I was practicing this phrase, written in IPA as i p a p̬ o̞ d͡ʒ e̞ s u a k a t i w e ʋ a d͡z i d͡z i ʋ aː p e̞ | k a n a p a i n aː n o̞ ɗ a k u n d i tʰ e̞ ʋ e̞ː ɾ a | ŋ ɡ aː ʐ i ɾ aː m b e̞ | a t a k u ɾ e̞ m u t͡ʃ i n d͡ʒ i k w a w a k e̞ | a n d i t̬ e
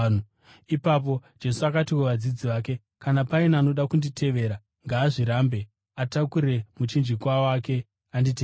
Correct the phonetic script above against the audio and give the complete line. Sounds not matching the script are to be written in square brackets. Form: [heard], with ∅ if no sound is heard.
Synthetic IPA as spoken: i p a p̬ o̞ d͡ʒ e̞ s u a k a t i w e ʋ a d͡z i d͡z i ʋ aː [k] e̞ | k a n a p a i n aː n o̞ ɗ a k u n d i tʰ e̞ ʋ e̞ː ɾ a | ŋ ɡ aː ʐ i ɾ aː m b e̞ | a t a k u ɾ e̞ m u t͡ʃ i n d͡ʒ i k w a w a k e̞ | a n d i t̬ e